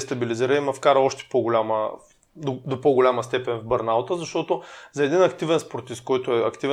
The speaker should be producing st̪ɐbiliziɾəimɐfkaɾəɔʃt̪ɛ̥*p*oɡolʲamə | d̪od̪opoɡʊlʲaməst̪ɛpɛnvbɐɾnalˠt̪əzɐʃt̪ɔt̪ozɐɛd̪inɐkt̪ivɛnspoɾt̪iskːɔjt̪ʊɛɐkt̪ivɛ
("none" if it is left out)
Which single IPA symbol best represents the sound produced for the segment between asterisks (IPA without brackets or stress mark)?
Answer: p